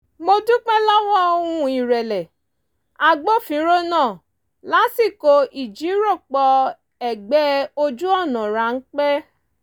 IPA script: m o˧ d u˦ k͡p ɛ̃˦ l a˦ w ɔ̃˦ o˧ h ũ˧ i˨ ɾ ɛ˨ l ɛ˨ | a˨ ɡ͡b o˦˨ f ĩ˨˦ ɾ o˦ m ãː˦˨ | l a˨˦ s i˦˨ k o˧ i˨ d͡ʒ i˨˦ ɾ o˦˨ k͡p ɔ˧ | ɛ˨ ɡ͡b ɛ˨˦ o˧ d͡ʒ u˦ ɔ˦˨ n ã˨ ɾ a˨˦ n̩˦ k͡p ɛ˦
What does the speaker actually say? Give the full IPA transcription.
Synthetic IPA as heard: m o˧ d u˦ k͡p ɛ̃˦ l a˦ w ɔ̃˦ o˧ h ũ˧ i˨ ɾ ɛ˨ l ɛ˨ | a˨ ɡ͡b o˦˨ f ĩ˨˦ ɾ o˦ n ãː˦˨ | l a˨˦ s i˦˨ k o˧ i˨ d͡ʒ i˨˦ ɾ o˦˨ k͡p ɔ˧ | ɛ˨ ɡ͡b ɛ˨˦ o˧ d͡ʒ u˦ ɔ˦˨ n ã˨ ɾ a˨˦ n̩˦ k͡p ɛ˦